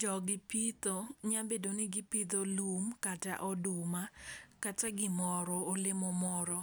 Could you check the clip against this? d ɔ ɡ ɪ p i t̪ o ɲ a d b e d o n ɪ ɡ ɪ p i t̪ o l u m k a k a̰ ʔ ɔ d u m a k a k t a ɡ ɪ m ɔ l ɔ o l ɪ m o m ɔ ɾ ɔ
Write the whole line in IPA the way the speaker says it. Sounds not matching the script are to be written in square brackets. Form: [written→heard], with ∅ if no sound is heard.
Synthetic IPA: [d→d͡ʒ] ɔ ɡ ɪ p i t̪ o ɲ a [d→∅] b e d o n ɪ ɡ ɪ p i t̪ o l u m k a [k→t] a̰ ʔ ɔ d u m a k a [k→∅] t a ɡ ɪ m ɔ [l→ɾ] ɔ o l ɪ m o m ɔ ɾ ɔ